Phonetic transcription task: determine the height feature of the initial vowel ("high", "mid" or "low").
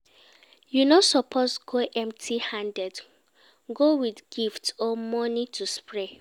high